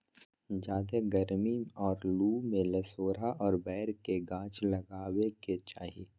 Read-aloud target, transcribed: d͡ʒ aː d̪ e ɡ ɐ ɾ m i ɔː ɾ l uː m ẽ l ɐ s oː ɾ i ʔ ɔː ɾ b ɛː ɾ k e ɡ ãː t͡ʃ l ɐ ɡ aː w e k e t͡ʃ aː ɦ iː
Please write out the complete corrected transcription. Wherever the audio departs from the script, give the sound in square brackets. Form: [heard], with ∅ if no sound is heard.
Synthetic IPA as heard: d͡ʒ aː d̪ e ɡ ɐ ɾ m i ɔː ɾ l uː m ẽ l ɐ s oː ɾ [a] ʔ ɔː ɾ b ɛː ɾ k e ɡ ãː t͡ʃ l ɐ ɡ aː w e k e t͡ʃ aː ɦ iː